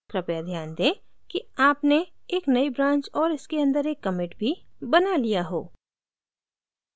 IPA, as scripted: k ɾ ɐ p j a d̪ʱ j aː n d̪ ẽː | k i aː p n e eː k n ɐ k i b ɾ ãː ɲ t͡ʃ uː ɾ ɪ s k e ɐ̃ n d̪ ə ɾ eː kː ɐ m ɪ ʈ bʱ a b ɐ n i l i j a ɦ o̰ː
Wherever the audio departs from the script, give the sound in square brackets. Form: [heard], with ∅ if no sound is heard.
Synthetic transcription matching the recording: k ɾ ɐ p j a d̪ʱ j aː n d̪ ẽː | k i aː p n e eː k n ɐ [∅] i b ɾ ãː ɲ t͡ʃ [ɔː] ɾ ɪ s k e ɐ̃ n d̪ ə ɾ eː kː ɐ m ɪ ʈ bʱ [i] b ɐ n [a] l i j a ɦ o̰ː